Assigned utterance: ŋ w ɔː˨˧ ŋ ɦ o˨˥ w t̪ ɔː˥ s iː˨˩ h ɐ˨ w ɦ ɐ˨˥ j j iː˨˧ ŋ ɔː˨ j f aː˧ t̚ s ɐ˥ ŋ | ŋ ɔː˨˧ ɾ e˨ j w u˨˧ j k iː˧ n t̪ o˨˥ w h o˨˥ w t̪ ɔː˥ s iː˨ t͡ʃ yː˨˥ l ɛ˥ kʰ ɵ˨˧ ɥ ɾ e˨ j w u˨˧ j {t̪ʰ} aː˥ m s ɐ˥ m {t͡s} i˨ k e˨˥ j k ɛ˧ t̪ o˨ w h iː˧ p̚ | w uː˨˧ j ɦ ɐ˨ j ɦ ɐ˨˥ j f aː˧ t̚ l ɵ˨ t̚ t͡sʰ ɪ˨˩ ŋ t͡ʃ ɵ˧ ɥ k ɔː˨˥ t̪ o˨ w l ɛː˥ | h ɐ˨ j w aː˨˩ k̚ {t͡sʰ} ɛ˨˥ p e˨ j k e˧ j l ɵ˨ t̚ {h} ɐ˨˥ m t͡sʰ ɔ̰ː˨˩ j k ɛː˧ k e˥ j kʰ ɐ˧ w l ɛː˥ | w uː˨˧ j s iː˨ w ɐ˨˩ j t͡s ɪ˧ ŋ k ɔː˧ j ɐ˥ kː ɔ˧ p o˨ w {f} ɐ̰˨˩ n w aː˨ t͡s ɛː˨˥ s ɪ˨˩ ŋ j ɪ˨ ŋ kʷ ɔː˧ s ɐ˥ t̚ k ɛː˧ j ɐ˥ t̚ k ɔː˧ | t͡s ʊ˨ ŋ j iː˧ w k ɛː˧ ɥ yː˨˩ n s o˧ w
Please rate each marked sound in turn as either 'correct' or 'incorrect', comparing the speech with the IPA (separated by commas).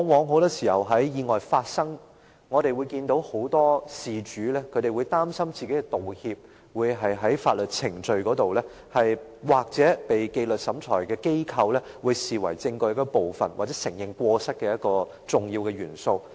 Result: incorrect, correct, incorrect, incorrect, correct